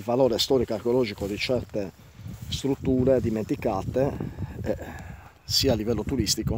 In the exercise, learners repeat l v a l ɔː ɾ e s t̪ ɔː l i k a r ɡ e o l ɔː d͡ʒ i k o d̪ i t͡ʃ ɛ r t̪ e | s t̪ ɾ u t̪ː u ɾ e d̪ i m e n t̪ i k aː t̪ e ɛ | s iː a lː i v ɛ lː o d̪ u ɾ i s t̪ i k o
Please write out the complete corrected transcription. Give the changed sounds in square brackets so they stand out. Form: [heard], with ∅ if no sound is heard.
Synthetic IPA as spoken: l v a l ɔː ɾ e s t̪ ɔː [ɾ] i k a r [k] e o l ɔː d͡ʒ i k o d̪ i t͡ʃ ɛ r t̪ e | s t̪ ɾ u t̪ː [uː] ɾ e d̪ i m e n t̪ i k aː t̪ e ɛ | s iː a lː i v ɛ lː o [t̪] u ɾ i s t̪ i k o